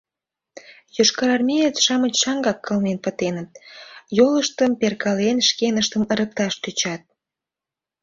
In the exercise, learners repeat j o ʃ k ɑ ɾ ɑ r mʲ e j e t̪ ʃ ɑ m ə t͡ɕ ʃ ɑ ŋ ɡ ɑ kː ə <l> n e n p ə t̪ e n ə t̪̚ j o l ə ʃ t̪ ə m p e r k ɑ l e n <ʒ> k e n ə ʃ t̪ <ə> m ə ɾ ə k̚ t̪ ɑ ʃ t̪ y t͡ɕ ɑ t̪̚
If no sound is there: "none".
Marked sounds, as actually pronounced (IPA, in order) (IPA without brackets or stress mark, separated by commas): l, ʃ, ə